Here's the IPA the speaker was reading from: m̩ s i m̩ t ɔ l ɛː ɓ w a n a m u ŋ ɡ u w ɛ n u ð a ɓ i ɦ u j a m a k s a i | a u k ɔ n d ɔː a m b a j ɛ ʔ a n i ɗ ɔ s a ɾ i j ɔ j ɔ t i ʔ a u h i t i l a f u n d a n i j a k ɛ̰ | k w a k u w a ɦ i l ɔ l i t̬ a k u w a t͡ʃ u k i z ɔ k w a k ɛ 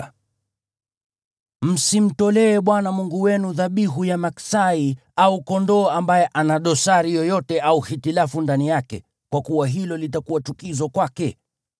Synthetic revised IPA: m̩ s i m̩ t ɔ l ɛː ɓ w a n a m u ŋ ɡ u w ɛ n u ð a ɓ i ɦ u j a m a k s a i | a u k ɔ n d ɔː a m b a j ɛ ʔ a n a ɗ ɔ s a ɾ i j ɔ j ɔ t ɛ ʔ a u h i t i l a f u n d a n i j a k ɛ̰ | k w a k u w a ɦ i l ɔ l i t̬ a k u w a t͡ʃ u k i z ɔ k w a k ɛ